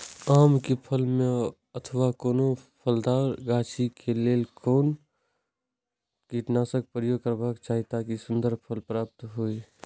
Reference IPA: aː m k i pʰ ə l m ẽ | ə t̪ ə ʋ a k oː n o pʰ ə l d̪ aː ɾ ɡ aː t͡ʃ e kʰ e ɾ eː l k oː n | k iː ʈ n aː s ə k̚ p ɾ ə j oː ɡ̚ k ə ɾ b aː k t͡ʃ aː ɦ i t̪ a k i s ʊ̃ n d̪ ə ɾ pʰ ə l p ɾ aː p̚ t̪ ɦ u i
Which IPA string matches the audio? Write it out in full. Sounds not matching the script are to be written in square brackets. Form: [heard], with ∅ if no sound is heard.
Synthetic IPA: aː m k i pʰ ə l m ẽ | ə [t̪ʰ] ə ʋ a k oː n o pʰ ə l d̪ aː ɾ ɡ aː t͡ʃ [i] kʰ e [l] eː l k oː n | k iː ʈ n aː s ə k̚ p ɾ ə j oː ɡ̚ k ə ɾ b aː k t͡ʃ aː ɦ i t̪ a k i s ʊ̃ n d̪ ə ɾ pʰ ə l p ɾ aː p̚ t̪ ɦ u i